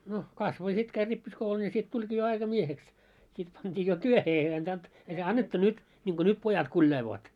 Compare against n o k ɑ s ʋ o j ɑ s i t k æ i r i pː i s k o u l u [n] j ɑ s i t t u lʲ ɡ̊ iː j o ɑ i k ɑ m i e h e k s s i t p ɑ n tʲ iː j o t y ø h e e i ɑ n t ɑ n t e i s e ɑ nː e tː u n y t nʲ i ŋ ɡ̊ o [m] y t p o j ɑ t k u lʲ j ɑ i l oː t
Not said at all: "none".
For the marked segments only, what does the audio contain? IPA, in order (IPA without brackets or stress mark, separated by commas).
n, n